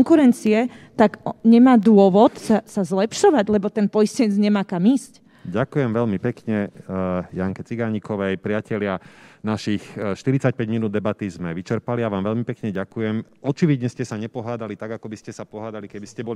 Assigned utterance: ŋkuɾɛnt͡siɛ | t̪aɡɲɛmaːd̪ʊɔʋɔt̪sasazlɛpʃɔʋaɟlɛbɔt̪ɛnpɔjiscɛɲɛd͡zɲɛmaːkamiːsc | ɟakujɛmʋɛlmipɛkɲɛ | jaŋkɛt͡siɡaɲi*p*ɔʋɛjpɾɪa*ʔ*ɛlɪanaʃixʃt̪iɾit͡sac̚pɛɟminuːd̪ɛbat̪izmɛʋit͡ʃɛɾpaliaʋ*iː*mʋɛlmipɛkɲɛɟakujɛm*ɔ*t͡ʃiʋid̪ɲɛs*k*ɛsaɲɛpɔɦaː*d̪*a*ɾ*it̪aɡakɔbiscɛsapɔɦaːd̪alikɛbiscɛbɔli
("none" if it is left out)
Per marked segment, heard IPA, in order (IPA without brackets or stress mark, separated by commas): k, c, aː, ɔ, c, d̪, l